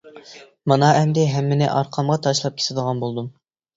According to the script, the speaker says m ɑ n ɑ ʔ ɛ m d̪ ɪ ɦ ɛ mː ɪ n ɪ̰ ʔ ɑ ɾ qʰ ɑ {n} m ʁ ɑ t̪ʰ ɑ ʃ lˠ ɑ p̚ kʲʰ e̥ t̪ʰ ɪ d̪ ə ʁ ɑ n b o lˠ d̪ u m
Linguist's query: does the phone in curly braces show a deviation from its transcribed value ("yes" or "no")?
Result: yes